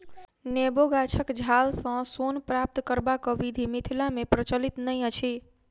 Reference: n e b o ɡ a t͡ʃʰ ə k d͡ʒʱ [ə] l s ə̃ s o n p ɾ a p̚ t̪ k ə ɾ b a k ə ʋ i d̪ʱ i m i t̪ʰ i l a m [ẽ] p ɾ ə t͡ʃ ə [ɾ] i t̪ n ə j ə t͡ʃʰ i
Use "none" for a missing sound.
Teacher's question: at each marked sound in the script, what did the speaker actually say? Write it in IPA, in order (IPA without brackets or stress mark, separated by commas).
a, e, l